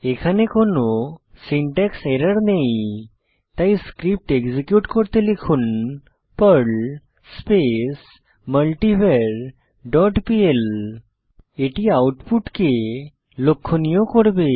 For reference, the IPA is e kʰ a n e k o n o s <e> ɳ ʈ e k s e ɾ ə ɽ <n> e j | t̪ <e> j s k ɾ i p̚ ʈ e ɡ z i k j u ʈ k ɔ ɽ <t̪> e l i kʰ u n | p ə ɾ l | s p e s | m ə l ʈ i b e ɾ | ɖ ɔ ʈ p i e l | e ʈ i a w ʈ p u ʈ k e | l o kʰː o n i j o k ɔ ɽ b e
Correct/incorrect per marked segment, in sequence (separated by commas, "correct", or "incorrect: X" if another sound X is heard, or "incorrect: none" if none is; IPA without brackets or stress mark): incorrect: i, correct, incorrect: a, correct